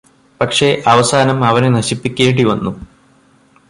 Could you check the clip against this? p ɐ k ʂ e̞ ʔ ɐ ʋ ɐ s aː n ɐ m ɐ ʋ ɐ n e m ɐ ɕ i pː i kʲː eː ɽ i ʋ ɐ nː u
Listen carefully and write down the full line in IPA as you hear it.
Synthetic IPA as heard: p ɐ k ʂ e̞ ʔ ɐ ʋ ɐ s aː n ɐ m ɐ ʋ ɐ n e n ɐ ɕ i pː i kʲː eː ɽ i ʋ ɐ nː u

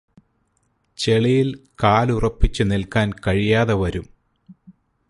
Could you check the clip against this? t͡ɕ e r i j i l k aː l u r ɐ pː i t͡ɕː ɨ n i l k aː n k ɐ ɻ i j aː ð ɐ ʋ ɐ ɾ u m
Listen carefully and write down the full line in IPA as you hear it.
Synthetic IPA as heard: t͡ɕ e ɭ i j i l k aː l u r ɐ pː i t͡ɕː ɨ n i l k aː n k ɐ ɻ i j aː ð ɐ ʋ ɐ ɾ u m

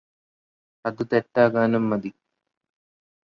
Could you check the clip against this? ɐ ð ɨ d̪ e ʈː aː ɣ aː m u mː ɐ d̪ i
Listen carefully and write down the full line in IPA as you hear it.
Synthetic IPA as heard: ɐ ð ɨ t̪ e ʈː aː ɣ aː n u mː ɐ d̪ i

